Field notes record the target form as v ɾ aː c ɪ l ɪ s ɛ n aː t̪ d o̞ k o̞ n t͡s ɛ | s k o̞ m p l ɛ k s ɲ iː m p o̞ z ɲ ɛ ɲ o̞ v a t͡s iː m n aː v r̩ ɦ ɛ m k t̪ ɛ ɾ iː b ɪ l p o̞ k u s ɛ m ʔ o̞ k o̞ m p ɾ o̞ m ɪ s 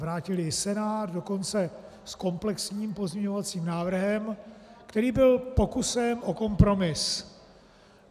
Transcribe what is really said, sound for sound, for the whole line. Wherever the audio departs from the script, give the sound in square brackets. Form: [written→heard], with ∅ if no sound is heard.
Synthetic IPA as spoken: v ɾ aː c ɪ l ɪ s ɛ n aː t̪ d o̞ k o̞ n t͡s ɛ | s k o̞ m p l ɛ k s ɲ iː m p o̞ z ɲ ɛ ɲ o̞ v a t͡s iː m n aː v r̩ ɦ ɛ m k t̪ ɛ ɾ iː b ɪ l p o̞ k u s ɛ m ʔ o̞ k o̞ m p ɾ o̞ m ɪ s

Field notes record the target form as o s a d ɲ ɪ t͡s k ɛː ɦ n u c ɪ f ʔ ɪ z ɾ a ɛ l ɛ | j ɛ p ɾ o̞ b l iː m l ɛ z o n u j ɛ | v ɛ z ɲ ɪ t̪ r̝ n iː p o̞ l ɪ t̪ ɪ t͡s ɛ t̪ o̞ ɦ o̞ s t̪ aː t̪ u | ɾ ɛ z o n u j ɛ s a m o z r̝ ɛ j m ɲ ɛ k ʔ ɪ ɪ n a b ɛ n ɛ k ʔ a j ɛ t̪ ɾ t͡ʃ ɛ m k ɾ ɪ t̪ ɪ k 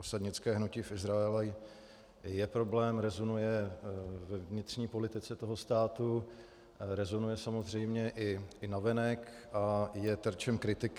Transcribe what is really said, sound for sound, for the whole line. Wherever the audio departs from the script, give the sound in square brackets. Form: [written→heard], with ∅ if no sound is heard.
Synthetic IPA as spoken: o s a d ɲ ɪ t͡s k ɛː ɦ n u c ɪ f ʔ ɪ z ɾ a ɛ l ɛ | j ɛ p ɾ o̞ b l [iː→ɛː] m [l→ɾ] ɛ z o n u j ɛ | v ɛ [z→v] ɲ ɪ t̪ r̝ [n→ɲ] iː p o̞ l ɪ t̪ ɪ t͡s ɛ t̪ o̞ ɦ o̞ s t̪ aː t̪ u | ɾ ɛ z o n u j ɛ s a m o z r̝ ɛ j m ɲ ɛ [k→∅] ʔ ɪ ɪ n a [b→v] ɛ n ɛ k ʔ a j ɛ t̪ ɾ t͡ʃ ɛ m k ɾ ɪ t̪ ɪ k

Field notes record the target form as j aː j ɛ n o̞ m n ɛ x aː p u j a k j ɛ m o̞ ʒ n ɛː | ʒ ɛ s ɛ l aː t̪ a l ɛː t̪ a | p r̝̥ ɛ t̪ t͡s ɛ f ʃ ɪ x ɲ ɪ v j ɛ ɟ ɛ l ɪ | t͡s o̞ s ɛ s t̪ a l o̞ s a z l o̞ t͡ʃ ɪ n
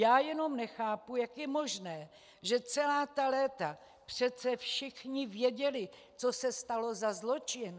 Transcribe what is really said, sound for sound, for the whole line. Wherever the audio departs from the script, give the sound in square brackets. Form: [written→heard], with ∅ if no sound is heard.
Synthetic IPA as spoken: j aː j ɛ n o̞ m n ɛ x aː p u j a k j ɛ m o̞ ʒ n ɛː | ʒ ɛ [s→t͡s] ɛ l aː t̪ a l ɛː t̪ a | p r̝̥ ɛ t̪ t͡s ɛ f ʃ ɪ x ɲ ɪ v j ɛ ɟ ɛ l ɪ | t͡s o̞ s ɛ s t̪ a l o̞ [s→z] a z l o̞ t͡ʃ ɪ n

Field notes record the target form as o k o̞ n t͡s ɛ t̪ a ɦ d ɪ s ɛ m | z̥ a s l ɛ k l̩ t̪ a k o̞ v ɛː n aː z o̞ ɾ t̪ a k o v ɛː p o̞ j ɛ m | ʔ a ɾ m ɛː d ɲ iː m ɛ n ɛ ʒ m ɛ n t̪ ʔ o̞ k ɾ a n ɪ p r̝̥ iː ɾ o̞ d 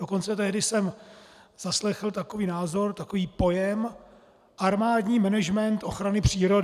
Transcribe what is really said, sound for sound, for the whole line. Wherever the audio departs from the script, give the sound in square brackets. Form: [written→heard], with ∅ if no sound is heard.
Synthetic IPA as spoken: o k o̞ n t͡s ɛ t̪ [a→ɛ] ɦ d ɪ s ɛ m | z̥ a s l ɛ [k→x] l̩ t̪ a k o̞ v [ɛː→iː] n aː z o̞ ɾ t̪ a k o v [ɛː→iː] p o̞ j ɛ m | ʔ a ɾ m [ɛː→aː] d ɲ iː m ɛ n ɛ ʒ m ɛ n t̪ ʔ o̞ [k→x] ɾ a n ɪ p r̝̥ iː ɾ o̞ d

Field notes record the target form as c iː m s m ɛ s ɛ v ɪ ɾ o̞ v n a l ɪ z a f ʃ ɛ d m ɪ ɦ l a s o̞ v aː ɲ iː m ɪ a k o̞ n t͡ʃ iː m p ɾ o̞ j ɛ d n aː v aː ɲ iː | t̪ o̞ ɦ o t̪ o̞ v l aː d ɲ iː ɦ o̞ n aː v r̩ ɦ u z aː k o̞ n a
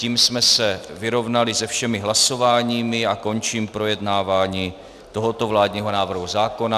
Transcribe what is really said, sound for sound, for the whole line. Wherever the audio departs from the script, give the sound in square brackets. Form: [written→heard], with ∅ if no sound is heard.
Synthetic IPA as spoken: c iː m s m ɛ s ɛ v ɪ ɾ o̞ v n a l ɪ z [a→ɛ] f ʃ ɛ [d→∅] m ɪ ɦ l a s o̞ v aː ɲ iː m ɪ a k o̞ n t͡ʃ iː m p ɾ o̞ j ɛ d n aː v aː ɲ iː | t̪ o̞ ɦ o t̪ o̞ v l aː d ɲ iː ɦ o̞ n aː v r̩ ɦ u z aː k o̞ n a

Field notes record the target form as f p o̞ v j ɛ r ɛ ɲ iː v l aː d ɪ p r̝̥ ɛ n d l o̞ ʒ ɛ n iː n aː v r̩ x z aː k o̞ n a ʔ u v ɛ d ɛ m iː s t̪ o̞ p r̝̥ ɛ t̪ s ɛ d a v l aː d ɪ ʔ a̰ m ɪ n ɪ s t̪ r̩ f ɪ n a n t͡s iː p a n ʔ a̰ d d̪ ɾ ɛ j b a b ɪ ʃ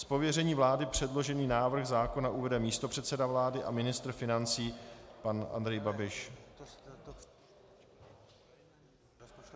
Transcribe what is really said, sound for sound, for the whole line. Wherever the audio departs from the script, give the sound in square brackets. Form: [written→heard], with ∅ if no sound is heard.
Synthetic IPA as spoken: [f→s] p o̞ v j ɛ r ɛ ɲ iː v l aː d ɪ p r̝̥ ɛ [n→∅] d l o̞ ʒ ɛ n iː n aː v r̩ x z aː k o̞ n a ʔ u v ɛ d ɛ m iː s t̪ o̞ p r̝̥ ɛ t̪ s ɛ d a v l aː d ɪ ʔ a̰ m ɪ n ɪ s t̪ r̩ f ɪ n a n t͡s iː p a n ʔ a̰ [d→n] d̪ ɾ ɛ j b a b ɪ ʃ

